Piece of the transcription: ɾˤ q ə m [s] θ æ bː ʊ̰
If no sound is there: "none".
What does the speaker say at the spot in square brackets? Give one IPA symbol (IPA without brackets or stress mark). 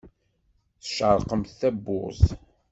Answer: θ